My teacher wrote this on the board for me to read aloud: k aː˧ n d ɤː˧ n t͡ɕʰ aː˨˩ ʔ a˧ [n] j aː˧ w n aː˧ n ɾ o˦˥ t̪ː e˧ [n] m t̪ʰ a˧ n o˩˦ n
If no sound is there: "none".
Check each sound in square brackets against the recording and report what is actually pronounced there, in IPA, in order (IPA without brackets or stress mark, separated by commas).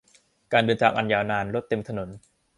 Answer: n, none